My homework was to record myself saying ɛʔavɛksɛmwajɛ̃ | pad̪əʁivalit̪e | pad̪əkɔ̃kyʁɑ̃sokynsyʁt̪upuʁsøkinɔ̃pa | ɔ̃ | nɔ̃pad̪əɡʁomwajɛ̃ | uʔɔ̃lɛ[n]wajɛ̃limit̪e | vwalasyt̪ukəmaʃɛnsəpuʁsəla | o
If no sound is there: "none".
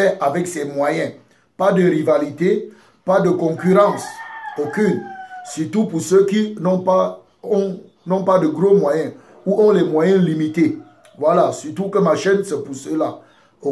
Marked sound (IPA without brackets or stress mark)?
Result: m